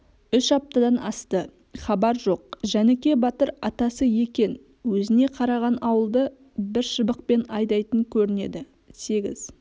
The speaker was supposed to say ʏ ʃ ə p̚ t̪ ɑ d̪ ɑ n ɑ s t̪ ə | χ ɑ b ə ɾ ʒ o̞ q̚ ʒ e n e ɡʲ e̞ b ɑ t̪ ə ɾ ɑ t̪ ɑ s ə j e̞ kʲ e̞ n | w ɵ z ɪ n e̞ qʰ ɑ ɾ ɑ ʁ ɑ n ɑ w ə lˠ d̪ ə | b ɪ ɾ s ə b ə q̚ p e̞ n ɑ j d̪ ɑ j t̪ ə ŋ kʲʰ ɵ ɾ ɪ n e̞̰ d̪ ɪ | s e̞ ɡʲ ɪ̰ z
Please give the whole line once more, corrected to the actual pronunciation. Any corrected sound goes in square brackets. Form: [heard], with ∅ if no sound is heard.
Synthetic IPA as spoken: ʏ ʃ [ɑ] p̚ t̪ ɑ d̪ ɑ n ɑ s t̪ ə | χ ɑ b [ɑ] ɾ ʒ o̞ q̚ ʒ [æ] n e [kʲ] e̞ b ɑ t̪ ə ɾ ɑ t̪ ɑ s ə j e̞ kʲ e̞ n | w ɵ z ɪ n e̞ qʰ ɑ ɾ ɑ ʁ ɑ n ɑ w ə lˠ d̪ ə | b ɪ ɾ [ʃ] ə b ə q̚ p e̞ n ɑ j d̪ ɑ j t̪ ə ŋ kʲʰ ɵ ɾ ɪ n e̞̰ d̪ ɪ | s e̞ ɡʲ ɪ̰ z